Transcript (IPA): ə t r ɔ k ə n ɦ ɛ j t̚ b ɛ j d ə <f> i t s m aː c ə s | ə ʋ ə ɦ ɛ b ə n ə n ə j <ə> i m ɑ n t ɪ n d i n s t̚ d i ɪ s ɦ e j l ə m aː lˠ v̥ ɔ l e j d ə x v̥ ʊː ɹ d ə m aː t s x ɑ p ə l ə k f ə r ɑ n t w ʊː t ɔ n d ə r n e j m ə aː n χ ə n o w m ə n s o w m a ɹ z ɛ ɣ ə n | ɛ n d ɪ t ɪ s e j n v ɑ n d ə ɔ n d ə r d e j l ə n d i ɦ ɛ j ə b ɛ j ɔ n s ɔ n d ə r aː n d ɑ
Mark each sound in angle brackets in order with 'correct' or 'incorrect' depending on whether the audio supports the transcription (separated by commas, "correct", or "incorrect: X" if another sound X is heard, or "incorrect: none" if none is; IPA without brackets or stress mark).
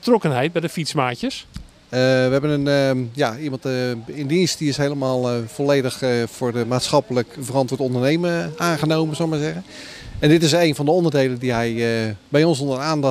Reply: correct, incorrect: a